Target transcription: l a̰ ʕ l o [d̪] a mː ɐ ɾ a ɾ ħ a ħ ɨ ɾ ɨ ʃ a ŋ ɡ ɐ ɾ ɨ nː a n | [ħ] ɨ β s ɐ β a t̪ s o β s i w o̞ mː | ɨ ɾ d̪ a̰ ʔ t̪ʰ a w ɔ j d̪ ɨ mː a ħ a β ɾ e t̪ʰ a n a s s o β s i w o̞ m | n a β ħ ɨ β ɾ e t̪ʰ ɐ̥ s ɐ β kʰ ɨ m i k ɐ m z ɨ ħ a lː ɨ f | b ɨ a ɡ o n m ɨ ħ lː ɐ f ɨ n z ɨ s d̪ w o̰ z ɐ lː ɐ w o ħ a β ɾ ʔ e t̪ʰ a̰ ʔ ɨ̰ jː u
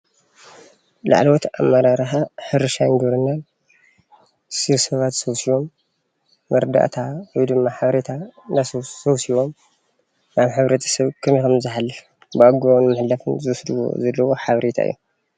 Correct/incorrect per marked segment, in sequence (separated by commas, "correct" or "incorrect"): incorrect, incorrect